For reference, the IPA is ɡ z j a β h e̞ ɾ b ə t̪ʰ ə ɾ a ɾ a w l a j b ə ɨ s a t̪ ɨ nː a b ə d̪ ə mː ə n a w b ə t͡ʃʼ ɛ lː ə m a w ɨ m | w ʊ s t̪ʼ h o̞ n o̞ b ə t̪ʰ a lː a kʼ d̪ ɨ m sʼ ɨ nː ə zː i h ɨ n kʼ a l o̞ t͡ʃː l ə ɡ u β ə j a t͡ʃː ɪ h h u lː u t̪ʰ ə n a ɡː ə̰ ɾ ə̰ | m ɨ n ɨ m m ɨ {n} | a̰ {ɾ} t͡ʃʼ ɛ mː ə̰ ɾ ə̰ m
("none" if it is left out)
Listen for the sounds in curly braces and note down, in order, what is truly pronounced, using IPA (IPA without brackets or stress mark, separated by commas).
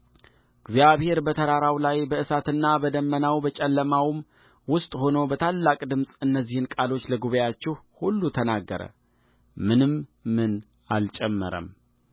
n, l